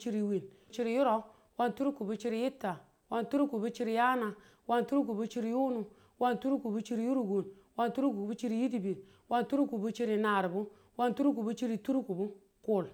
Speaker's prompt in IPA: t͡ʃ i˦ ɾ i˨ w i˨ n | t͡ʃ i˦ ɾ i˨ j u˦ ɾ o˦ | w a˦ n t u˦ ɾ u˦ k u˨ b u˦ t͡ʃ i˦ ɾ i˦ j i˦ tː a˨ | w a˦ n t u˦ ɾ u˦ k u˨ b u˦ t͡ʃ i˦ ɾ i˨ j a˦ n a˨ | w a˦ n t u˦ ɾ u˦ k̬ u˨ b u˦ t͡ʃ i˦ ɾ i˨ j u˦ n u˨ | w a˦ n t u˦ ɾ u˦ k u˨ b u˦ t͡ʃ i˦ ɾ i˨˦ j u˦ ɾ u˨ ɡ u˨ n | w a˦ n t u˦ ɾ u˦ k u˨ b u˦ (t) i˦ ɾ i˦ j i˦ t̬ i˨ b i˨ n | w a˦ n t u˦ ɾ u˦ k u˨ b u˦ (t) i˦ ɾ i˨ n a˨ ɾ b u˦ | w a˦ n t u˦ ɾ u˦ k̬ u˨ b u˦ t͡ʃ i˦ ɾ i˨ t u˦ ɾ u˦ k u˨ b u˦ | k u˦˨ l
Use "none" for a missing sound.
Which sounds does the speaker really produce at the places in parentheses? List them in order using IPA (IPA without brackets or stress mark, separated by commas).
t͡ʃ, t͡ʃ